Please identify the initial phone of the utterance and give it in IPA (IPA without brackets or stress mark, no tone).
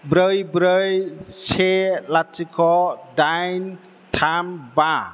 b